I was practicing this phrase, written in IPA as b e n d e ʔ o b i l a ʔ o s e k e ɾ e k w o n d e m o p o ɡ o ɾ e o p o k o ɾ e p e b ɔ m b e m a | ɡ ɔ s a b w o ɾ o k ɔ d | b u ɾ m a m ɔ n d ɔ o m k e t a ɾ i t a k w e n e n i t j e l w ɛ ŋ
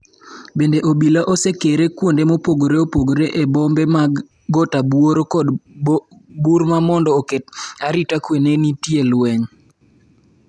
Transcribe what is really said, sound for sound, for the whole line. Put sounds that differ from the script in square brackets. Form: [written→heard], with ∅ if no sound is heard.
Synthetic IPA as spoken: b e n d e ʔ o b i l a ʔ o s e k e ɾ e k w o n d e m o p o ɡ o ɾ e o p o [k→ɡ] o ɾ e [p→ʔ] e b ɔ m b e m a | ɡ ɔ [s→t] a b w o ɾ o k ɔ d | b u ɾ m a m ɔ n d ɔ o [m→∅] k e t a ɾ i t a k w e n e n i t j e l w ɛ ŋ